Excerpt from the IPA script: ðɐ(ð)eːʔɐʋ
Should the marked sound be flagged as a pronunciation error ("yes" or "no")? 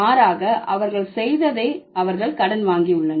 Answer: no